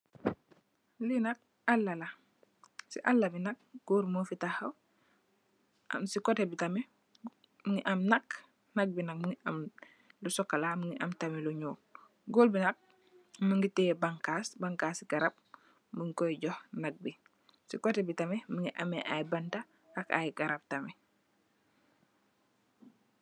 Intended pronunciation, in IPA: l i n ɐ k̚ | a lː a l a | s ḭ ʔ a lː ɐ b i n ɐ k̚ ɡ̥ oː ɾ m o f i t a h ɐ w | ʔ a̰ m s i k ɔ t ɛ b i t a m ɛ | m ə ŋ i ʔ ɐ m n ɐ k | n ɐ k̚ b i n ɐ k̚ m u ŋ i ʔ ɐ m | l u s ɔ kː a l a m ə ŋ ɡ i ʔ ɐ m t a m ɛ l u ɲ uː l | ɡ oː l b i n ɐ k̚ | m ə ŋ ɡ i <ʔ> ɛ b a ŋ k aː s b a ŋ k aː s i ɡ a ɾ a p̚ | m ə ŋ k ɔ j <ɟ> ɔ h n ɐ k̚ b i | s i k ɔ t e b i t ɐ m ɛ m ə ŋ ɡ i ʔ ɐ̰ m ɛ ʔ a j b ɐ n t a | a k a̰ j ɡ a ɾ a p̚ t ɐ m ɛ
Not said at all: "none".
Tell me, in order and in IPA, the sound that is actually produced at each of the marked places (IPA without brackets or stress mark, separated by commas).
t, ɟ